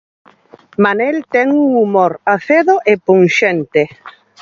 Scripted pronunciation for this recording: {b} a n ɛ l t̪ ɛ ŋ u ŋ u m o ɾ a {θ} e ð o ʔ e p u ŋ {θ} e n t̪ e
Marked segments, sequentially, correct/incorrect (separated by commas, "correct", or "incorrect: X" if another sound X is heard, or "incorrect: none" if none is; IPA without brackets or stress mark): incorrect: m, correct, incorrect: ʃ